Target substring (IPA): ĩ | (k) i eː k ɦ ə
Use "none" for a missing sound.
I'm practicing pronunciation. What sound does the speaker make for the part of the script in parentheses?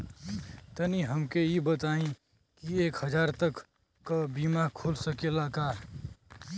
k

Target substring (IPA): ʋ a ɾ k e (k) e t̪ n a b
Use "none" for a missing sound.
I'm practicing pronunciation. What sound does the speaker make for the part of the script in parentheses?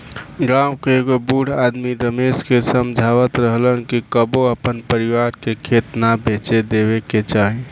kʰ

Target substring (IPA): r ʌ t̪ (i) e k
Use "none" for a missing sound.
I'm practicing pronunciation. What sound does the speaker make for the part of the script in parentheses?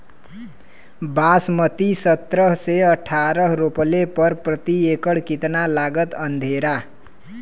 i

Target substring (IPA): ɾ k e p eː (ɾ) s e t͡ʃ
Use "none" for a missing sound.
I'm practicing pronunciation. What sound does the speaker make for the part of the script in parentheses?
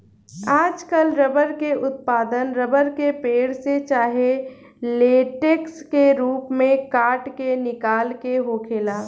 ɽ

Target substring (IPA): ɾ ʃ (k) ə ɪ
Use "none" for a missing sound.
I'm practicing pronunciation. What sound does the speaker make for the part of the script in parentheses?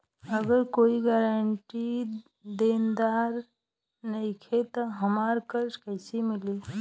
k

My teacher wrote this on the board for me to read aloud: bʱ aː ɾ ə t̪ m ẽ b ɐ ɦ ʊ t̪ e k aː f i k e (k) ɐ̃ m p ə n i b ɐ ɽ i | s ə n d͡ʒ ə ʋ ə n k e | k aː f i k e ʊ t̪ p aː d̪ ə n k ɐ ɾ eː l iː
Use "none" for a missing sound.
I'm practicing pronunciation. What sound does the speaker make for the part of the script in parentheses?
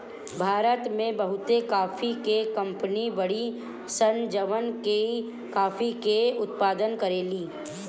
k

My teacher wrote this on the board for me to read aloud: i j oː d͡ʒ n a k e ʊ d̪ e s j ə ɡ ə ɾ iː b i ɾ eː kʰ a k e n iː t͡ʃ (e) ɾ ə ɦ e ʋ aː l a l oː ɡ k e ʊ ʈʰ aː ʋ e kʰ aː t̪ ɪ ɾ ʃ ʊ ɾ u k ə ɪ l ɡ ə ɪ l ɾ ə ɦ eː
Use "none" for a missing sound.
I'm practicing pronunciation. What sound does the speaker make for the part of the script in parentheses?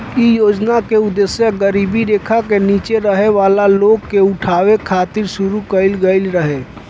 e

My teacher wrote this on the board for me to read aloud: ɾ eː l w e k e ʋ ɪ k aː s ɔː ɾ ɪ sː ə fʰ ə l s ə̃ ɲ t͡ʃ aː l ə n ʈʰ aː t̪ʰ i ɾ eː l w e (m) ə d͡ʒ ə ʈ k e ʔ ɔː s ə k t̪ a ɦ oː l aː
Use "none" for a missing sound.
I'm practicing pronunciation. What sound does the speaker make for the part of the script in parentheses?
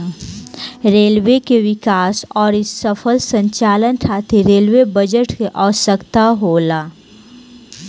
b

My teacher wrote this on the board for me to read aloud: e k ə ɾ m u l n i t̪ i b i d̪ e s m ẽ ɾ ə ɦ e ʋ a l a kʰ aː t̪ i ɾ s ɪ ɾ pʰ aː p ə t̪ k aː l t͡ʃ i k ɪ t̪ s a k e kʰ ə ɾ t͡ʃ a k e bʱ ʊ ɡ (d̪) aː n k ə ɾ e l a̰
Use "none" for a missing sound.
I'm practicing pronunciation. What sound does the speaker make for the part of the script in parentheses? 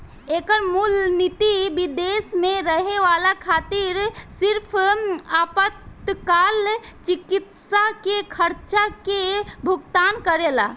t̪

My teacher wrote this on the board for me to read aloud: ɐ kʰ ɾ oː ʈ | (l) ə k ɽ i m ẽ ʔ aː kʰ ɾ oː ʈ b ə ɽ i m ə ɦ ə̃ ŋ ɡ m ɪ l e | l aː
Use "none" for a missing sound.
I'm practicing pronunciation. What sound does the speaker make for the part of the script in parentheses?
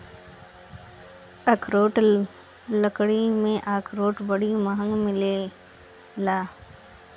l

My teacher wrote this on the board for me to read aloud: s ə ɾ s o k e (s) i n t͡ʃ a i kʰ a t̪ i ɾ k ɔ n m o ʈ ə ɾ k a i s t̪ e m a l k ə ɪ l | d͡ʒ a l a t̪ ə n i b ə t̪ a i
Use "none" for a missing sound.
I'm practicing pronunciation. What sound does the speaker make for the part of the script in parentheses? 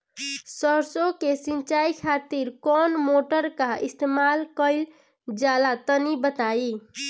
s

